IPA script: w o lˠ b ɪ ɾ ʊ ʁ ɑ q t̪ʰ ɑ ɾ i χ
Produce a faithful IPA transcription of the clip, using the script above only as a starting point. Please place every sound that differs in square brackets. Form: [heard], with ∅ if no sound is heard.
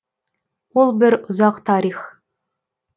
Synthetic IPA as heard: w o lˠ b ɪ ɾ ʊ [z] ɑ q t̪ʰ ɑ ɾ i χ